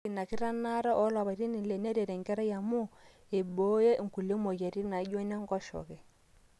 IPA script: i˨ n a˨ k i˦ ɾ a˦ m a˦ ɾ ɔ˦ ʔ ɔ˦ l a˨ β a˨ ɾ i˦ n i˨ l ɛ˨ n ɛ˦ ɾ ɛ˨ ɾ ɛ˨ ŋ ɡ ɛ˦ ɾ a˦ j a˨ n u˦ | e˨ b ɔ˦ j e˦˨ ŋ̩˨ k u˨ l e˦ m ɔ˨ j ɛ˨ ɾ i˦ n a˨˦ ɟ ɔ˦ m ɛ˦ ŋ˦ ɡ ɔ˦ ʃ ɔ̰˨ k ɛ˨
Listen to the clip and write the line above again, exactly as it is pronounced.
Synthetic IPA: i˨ n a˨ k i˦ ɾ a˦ n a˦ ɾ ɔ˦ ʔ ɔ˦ l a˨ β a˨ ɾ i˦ n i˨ l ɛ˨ n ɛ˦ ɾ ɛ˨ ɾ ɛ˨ ŋ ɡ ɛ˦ ɾ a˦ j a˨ m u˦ | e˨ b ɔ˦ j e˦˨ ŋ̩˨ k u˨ l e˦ m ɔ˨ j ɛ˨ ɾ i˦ n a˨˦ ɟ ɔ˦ n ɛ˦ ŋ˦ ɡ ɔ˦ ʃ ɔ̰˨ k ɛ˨